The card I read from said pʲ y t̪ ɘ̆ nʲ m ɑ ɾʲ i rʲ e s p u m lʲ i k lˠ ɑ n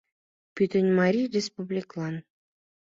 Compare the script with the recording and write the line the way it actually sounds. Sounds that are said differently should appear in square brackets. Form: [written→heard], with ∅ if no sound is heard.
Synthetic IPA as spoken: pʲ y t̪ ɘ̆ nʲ m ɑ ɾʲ i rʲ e s p u [m→b] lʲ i k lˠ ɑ n